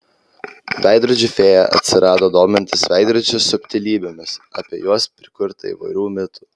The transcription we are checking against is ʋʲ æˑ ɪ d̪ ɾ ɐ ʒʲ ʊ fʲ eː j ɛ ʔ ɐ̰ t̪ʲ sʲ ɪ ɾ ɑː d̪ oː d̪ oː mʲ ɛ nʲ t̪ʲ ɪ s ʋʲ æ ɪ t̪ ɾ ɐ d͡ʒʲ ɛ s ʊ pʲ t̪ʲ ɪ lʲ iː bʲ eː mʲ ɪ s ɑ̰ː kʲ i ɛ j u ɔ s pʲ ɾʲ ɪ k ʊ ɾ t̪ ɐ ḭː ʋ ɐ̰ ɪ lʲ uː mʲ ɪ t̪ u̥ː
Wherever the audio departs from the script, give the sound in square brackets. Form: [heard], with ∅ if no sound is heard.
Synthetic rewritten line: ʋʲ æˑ ɪ d̪ ɾ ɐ [d͡ʒʲ] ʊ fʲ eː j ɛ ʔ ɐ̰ t̪ʲ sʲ ɪ ɾ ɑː d̪ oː d̪ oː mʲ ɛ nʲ t̪ʲ ɪ s ʋʲ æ ɪ [d̪] ɾ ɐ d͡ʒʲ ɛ s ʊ pʲ t̪ʲ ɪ lʲ iː bʲ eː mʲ ɪ s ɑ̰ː [pʲ] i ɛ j u ɔ s pʲ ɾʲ ɪ k ʊ ɾ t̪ ɐ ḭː ʋ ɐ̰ ɪ [ɾʲ] uː mʲ ɪ t̪ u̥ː